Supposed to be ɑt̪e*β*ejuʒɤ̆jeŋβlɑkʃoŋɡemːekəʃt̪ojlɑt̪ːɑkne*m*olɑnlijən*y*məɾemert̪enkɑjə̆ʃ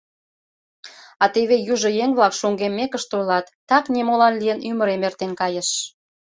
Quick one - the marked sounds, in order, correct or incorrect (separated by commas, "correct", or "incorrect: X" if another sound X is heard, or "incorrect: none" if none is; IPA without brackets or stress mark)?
correct, correct, correct